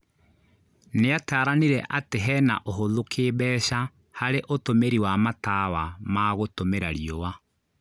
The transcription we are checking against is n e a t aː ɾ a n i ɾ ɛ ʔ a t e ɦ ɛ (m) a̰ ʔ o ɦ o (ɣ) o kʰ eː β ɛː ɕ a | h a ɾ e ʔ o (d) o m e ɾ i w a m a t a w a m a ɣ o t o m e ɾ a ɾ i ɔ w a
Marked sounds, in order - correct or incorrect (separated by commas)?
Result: incorrect, incorrect, incorrect